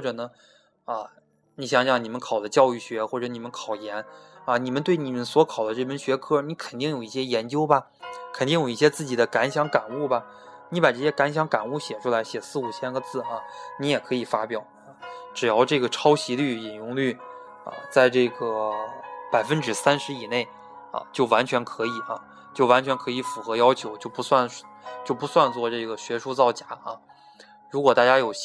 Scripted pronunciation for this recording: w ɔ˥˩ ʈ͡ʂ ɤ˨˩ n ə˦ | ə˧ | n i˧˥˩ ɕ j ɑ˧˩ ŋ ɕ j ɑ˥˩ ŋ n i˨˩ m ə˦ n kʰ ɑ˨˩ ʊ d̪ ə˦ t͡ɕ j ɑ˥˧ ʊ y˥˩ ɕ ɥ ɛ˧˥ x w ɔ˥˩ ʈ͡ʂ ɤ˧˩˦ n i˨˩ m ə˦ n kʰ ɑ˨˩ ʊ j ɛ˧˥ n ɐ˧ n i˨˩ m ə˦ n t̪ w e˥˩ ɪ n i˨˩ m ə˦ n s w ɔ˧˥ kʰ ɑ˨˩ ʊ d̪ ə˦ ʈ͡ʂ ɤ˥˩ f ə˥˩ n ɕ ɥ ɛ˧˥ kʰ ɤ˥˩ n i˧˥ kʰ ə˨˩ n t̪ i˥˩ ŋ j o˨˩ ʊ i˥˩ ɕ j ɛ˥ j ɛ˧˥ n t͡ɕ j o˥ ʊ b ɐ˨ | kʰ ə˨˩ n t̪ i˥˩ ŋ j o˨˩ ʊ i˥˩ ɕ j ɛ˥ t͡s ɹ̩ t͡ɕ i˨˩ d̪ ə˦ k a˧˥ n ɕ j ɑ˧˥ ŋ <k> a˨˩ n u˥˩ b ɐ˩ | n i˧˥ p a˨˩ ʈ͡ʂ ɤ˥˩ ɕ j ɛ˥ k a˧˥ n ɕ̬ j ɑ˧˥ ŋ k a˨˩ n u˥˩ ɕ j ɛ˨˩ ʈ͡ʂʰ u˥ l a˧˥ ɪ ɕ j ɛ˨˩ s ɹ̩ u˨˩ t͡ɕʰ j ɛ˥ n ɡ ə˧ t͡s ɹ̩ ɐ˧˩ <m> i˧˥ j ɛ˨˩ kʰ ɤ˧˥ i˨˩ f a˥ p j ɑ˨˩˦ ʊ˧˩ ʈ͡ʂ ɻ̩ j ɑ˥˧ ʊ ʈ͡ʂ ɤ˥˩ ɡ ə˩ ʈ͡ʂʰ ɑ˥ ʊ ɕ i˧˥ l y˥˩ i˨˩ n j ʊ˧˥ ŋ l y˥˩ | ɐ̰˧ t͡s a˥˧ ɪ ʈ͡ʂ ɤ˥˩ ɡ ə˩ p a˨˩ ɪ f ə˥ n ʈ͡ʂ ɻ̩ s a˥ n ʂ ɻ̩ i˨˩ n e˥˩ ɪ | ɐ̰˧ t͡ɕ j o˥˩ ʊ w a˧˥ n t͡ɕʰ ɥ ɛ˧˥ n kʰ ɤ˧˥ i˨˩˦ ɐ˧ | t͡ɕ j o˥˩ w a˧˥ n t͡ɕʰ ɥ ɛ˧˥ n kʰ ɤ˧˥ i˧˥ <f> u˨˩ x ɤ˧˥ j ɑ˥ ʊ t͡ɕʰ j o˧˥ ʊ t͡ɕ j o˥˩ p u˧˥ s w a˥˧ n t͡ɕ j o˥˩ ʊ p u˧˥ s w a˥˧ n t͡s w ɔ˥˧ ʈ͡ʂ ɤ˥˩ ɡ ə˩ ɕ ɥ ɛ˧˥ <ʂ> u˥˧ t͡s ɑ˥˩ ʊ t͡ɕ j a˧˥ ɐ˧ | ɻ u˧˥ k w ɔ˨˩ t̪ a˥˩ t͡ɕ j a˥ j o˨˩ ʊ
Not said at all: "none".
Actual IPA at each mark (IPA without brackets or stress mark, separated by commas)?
k, n, f, ʂ